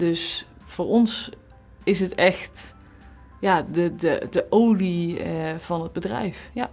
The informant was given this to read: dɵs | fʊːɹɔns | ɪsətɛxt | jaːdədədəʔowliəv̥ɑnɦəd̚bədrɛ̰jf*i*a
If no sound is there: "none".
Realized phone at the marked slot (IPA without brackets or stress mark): j